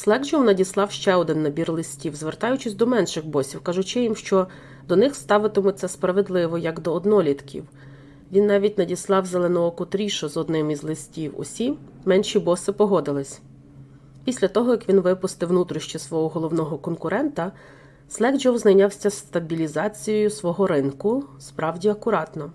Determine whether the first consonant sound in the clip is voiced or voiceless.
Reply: voiceless